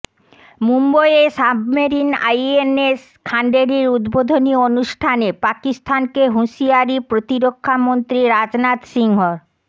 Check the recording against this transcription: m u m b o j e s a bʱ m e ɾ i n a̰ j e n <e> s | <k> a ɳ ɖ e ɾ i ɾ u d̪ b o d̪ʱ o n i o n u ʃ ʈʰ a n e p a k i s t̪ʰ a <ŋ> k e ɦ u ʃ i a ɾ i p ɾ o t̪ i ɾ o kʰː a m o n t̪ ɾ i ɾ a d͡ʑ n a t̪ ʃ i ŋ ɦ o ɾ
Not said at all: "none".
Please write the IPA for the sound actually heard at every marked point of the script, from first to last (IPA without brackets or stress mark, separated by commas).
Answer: e, kʰ, n